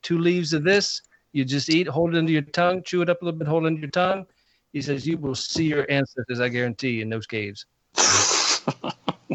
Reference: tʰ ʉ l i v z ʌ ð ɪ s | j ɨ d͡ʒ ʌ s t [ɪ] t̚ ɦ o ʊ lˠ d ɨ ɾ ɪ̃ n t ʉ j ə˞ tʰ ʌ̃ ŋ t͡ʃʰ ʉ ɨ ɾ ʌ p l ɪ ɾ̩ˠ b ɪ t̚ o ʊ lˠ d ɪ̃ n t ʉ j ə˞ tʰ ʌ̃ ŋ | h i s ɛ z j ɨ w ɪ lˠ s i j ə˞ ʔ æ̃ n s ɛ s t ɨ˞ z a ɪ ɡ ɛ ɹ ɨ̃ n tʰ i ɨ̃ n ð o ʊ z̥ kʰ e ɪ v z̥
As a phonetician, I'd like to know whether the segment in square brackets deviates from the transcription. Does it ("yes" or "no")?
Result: yes